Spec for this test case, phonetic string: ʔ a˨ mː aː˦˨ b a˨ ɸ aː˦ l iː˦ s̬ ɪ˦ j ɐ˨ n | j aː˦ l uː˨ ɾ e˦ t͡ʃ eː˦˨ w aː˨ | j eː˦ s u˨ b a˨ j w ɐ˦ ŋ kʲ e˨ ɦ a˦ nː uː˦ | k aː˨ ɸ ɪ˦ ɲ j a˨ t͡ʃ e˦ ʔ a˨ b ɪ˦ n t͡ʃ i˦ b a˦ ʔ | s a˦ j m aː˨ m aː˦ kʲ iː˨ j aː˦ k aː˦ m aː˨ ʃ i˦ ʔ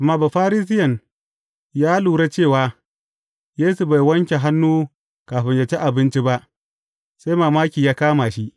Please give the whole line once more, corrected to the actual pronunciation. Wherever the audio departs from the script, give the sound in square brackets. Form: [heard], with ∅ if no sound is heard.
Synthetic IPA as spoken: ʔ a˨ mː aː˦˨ b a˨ ɸ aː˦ [ɾ] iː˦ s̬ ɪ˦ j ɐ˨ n | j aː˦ l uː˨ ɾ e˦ t͡ʃ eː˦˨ w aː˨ | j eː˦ s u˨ b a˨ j w ɐ˦ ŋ kʲ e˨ ɦ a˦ nː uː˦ | k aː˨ ɸ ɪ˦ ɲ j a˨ t͡ʃ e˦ ʔ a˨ b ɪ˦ n t͡ʃ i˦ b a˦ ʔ | s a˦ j m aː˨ m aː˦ kʲ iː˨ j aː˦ k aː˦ m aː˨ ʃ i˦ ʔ